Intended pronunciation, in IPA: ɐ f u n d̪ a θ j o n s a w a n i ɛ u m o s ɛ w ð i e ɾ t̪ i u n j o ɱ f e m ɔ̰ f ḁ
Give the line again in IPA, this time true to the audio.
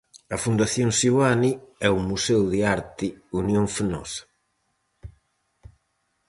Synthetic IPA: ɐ f u n d̪ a θ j o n s i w a n i ɛ u m u s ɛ w ð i a ɾ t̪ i u n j o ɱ f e n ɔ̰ s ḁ